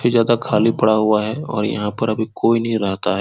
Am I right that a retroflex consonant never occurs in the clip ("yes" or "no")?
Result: no